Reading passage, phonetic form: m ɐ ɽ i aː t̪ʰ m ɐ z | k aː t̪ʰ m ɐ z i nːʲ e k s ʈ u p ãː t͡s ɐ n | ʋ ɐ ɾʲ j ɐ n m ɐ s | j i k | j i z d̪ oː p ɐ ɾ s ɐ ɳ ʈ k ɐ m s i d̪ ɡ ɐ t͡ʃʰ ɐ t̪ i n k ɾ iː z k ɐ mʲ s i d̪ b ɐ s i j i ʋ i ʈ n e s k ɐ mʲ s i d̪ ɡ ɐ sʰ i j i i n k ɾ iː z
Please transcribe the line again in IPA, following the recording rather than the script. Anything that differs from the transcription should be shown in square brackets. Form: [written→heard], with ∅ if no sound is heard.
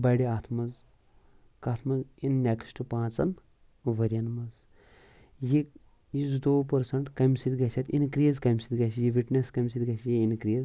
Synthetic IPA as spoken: [m→b] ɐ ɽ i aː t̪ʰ m ɐ z | k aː t̪ʰ m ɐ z i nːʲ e k s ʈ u p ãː t͡s ɐ n | ʋ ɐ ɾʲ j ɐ n m ɐ [s→z] | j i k | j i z d̪ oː p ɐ ɾ s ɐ ɳ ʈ k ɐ m s i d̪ ɡ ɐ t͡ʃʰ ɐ t̪ i n k ɾ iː z k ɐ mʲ s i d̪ [b→ɡ] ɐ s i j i ʋ i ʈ n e s k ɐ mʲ s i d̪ ɡ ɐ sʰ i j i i n k ɾ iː z